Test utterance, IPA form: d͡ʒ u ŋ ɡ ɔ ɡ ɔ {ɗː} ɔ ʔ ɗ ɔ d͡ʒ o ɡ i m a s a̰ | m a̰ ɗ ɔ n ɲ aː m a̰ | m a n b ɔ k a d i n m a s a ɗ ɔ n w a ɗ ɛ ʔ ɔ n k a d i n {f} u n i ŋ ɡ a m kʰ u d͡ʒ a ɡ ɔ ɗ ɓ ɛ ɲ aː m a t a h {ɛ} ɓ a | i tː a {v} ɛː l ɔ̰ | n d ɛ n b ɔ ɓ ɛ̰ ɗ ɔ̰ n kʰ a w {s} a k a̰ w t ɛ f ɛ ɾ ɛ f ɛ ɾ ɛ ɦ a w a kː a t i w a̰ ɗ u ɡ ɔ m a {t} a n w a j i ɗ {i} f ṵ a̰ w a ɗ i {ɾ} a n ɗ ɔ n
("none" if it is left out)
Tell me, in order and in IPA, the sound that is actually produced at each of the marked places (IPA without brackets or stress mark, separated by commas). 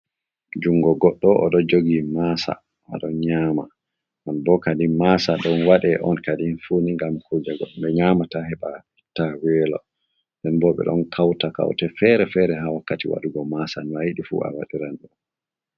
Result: ɗː, f, ɛ, w, t, s, i, ɾ